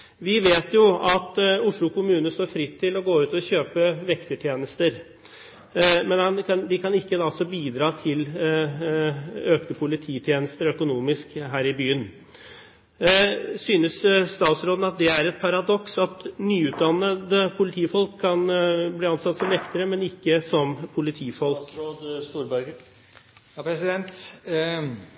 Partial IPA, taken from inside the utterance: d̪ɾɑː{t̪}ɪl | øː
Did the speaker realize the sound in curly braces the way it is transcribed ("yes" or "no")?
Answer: no